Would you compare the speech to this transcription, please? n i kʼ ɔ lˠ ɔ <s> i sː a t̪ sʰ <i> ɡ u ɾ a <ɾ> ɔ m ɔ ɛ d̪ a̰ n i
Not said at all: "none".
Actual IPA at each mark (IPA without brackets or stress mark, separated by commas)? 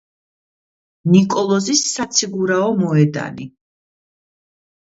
z, i, none